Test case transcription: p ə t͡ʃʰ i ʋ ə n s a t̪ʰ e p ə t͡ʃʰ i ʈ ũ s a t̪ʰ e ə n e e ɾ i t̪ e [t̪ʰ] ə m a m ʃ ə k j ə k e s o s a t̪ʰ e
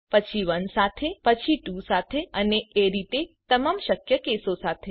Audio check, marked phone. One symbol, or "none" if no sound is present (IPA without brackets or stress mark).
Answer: t̪